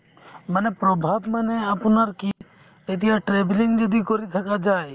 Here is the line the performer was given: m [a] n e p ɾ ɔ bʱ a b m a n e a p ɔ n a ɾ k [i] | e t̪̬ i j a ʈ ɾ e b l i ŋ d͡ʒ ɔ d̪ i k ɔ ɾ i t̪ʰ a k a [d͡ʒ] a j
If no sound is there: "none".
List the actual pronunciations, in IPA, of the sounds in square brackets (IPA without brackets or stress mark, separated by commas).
a, i, d͡ʒ